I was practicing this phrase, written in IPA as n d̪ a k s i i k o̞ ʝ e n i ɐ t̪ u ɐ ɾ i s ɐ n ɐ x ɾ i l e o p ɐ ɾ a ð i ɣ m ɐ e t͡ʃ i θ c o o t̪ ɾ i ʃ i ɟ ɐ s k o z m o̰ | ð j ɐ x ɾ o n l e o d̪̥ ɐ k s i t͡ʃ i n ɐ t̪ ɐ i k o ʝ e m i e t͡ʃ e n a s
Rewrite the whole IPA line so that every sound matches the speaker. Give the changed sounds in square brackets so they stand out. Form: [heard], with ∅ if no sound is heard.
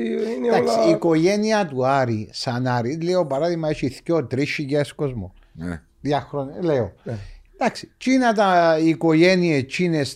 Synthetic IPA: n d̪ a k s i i k o̞ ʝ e n i ɐ t̪ u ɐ ɾ i s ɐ n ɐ [∅] ɾ i l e o p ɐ ɾ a ð i ɣ m ɐ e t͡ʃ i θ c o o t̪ ɾ i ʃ i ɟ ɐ s k o z m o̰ | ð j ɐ x ɾ o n l e o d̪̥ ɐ k s i t͡ʃ i n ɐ t̪ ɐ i k o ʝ e [n] i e t͡ʃ [i] n [e] s